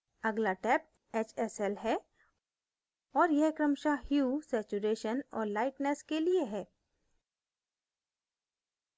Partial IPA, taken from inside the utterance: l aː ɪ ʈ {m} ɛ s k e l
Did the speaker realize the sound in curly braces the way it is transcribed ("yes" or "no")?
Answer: no